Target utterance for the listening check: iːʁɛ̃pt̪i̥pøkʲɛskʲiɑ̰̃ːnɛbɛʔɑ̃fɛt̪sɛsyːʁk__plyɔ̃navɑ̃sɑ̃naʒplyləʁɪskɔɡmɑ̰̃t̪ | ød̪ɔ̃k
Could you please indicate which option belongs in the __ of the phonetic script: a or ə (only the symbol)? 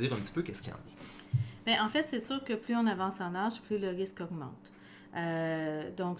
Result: ə